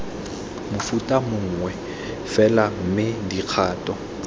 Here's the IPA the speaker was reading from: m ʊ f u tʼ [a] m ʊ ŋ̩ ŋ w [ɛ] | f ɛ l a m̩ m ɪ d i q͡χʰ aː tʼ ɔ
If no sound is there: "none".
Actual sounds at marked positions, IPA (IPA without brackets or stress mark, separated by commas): a, ɛ